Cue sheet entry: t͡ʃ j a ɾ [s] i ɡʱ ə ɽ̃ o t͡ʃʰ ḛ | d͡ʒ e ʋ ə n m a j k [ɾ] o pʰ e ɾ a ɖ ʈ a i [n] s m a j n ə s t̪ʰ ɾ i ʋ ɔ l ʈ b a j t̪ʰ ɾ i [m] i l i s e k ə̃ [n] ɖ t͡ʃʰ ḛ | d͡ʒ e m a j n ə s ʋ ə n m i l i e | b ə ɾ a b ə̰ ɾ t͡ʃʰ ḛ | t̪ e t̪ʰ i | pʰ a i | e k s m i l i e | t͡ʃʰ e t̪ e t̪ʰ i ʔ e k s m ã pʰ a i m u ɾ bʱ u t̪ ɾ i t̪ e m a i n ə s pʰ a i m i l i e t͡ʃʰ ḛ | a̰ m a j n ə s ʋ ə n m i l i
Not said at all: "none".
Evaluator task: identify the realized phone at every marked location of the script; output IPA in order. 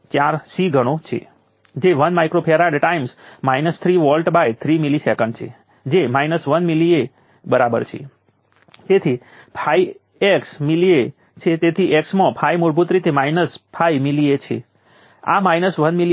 s, ɾ, m, m, ɳ

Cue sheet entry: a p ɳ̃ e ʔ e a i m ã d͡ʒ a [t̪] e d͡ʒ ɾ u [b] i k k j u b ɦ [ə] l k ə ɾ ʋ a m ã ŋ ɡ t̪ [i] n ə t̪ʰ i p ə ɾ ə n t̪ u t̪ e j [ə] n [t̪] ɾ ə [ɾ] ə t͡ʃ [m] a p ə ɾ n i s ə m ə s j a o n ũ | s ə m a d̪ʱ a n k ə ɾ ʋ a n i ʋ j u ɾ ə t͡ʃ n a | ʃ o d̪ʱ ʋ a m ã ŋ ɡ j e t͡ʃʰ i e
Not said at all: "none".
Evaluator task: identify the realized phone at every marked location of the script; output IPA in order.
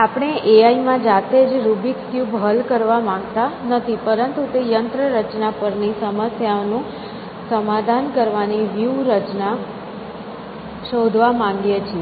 t̪, b, ə, a, ə, t̪, ɾ, n

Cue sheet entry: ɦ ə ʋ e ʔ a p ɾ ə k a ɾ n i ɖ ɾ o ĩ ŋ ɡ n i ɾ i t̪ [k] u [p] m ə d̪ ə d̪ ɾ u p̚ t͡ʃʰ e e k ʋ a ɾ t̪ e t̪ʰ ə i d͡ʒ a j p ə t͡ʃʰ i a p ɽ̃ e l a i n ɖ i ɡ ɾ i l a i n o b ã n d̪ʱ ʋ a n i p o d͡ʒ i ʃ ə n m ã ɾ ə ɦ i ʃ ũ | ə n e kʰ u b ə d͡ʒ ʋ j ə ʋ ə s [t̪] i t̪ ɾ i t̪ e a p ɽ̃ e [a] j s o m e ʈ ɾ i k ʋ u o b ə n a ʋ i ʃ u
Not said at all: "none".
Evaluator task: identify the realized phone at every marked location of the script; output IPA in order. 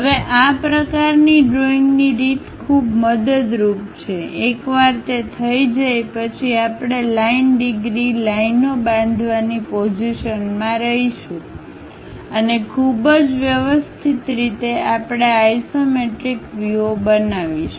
kʰ, b, t̪ʰ, a

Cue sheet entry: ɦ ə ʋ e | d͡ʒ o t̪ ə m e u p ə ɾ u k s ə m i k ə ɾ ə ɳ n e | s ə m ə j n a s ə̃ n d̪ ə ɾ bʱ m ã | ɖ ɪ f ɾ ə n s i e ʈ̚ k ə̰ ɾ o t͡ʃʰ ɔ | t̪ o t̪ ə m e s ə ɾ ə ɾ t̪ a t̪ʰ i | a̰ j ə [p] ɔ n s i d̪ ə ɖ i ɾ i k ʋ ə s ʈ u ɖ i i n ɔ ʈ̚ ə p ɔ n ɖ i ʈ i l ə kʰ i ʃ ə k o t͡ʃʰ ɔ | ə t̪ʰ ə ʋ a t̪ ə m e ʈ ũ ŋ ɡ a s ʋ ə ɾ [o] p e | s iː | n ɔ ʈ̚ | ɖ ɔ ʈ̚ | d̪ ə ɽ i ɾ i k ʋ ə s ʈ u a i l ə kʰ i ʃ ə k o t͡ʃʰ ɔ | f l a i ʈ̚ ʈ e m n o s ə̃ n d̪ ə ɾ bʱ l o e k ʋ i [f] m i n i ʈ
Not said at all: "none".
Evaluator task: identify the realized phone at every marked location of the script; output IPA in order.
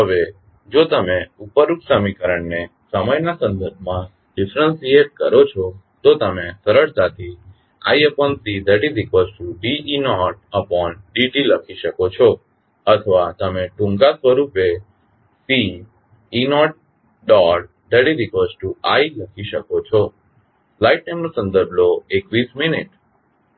p, u, s

